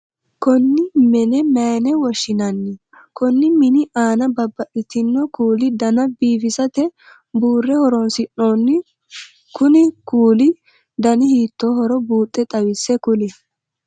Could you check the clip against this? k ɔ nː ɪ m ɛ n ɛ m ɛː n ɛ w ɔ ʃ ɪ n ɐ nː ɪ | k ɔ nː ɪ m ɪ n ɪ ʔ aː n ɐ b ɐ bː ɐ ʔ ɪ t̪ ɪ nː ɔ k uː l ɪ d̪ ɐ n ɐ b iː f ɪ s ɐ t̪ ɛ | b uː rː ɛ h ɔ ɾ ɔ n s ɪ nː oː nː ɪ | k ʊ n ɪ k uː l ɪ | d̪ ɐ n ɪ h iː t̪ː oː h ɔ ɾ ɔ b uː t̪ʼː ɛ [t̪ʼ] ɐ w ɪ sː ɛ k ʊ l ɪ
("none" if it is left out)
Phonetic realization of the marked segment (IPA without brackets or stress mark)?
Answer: t̪ʼ